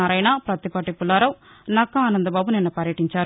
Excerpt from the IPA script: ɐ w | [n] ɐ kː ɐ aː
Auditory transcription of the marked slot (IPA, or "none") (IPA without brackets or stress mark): n